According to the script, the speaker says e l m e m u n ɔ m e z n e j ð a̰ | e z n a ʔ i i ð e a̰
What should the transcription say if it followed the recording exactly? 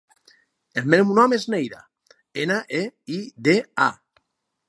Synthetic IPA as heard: e l m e m u n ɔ m e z n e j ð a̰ | e n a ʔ e i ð e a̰